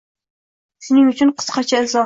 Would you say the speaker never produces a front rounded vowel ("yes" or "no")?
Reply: no